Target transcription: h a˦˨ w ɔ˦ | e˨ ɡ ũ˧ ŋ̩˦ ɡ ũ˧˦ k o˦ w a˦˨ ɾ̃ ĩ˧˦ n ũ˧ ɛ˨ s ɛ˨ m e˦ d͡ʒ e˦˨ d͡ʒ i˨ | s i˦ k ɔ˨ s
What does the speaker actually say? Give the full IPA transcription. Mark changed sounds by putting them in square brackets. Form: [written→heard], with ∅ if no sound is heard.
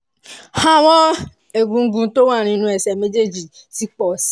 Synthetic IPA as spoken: h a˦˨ w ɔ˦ | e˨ ɡ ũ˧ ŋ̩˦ ɡ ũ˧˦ [k→t] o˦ w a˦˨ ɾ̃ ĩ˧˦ n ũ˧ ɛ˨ s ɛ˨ m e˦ d͡ʒ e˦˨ d͡ʒ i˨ | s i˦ [k→k͡p] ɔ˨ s